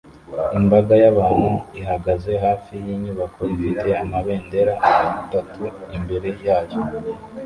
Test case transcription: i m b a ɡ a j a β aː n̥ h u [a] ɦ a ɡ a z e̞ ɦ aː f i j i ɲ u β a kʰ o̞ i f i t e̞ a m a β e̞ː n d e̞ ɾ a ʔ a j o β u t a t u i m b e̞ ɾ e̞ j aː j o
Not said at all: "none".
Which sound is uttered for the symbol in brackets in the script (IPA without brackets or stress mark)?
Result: i